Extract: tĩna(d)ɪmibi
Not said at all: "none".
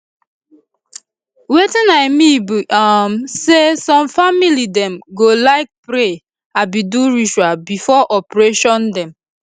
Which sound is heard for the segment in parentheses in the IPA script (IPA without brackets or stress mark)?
none